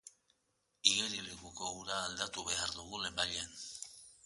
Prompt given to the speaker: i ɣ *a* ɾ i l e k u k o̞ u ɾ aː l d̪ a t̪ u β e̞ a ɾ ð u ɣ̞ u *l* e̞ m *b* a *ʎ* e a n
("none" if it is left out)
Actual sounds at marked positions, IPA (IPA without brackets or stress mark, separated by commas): e, l, b, ʎ